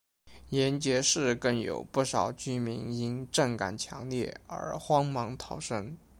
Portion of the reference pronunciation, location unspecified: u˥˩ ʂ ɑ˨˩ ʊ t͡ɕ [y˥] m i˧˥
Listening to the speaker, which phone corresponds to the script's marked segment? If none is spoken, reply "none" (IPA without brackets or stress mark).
y˥